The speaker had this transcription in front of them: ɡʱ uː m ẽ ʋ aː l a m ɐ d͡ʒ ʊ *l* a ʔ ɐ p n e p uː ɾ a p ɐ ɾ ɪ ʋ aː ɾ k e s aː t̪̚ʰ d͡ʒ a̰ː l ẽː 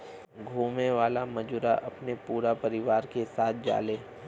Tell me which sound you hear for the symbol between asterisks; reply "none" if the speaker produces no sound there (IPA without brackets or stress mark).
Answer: ɾ